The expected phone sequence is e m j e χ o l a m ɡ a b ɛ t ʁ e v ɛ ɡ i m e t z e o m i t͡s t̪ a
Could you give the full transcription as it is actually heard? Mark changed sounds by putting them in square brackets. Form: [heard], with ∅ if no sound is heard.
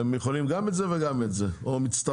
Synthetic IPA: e m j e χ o l [i] m ɡ a [m] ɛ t [z] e v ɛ ɡ [a] m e t z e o m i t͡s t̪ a